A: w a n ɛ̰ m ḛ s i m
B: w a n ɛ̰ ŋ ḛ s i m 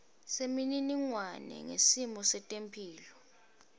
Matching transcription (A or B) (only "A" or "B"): B